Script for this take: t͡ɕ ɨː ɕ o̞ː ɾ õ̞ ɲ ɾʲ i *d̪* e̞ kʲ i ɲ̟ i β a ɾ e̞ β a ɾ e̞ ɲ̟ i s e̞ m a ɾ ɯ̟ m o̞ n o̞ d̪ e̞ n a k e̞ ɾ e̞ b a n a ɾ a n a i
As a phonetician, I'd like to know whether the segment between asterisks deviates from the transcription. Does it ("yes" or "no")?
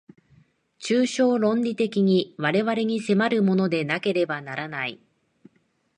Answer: yes